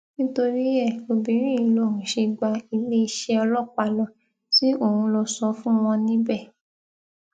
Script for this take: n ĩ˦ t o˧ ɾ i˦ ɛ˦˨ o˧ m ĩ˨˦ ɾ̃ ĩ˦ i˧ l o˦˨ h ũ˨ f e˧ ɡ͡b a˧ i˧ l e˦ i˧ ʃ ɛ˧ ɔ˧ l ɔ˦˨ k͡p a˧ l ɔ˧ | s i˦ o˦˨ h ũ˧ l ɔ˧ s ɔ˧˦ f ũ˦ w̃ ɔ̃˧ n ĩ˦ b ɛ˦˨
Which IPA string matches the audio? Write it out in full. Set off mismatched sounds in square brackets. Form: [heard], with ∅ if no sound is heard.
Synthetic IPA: n ĩ˦ t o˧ ɾ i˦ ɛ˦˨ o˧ [b] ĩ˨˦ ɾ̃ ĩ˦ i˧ l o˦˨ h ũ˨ [ʃ] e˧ ɡ͡b a˧ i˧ l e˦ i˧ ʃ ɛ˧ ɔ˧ l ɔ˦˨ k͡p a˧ l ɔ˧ | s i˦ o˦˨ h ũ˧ l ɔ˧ s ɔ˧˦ f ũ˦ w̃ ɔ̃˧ n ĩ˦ b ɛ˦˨